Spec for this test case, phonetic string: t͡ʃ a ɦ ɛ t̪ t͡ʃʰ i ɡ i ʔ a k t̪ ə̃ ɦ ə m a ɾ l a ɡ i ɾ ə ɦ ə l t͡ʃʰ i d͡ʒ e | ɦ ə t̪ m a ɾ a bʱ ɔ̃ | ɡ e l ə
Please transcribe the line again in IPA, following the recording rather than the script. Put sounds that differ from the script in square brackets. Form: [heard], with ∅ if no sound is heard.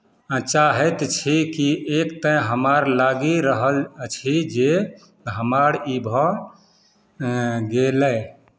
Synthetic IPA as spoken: t͡ʃ a ɦ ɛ t̪ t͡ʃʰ i [k] i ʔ [e] k t̪ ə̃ ɦ ə m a ɾ l a ɡ i ɾ ə ɦ ə l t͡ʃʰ i d͡ʒ e | ɦ ə [∅] m a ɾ [i] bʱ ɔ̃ | ɡ e l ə